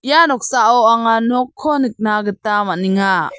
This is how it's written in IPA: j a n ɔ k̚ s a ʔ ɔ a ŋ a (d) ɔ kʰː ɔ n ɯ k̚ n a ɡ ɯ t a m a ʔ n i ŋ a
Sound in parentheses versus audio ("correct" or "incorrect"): incorrect